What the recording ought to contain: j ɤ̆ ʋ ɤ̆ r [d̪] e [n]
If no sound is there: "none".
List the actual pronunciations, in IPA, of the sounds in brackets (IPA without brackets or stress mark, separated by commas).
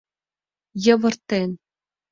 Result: t̪, n